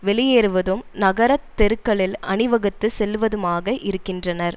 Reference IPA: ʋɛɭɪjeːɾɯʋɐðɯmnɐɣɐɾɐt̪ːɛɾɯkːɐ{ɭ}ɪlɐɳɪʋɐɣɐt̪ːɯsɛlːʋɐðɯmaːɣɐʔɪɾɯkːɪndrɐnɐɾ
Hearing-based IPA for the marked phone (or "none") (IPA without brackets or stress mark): ɭ